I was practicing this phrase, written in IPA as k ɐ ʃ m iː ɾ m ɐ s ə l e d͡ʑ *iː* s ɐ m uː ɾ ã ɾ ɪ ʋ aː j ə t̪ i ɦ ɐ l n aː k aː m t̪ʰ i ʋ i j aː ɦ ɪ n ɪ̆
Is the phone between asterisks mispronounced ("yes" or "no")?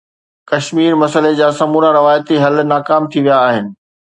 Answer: yes